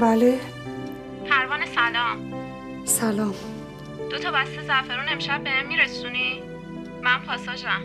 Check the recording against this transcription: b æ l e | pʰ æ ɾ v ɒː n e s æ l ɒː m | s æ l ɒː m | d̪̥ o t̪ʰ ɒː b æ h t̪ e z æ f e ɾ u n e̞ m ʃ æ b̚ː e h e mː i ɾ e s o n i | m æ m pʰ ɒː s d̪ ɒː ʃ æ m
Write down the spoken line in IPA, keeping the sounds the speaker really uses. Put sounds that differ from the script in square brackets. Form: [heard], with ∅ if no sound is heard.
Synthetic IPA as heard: b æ l e | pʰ æ ɾ v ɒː n e s æ l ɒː m | s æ l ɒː m | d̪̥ o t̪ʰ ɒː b æ [s] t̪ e z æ f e ɾ u n e̞ m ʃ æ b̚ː e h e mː i ɾ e s [u] n i | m æ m pʰ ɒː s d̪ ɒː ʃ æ m

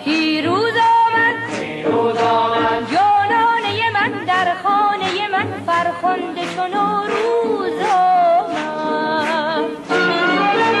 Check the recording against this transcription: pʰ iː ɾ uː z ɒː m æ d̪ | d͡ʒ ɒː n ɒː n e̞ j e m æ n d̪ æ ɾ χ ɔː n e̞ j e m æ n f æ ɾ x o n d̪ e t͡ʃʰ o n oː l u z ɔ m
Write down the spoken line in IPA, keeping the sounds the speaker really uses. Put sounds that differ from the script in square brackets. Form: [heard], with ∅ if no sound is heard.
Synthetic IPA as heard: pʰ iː ɾ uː z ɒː m æ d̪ | d͡ʒ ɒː n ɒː n e̞ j e m æ n d̪ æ ɾ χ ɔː n e̞ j e m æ n f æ ɾ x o n d̪ e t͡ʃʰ o n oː [ɾ] u z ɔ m

